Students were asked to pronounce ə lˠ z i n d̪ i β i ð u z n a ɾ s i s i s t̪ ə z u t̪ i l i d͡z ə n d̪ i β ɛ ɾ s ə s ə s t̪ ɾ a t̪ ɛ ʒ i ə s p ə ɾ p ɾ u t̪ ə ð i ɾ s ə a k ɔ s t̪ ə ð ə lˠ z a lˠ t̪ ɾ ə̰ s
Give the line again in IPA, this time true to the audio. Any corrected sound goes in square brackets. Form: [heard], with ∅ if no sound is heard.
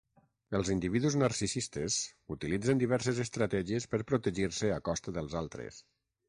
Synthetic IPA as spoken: ə lˠ z i n d̪ i β i ð u z n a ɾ s i s i s t̪ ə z u t̪ i l i d͡z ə n d̪ i β ɛ ɾ s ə [z] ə s t̪ ɾ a t̪ ɛ ʒ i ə s p ə ɾ p ɾ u t̪ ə [ʒ] i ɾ s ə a k ɔ s t̪ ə ð ə lˠ z a lˠ t̪ ɾ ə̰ s